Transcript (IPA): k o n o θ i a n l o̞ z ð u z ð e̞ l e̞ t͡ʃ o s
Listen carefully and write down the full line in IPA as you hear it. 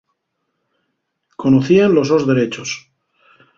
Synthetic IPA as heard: k o n o θ i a n l o̞ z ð o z ð e̞ ɾ e̞ t͡ʃ o s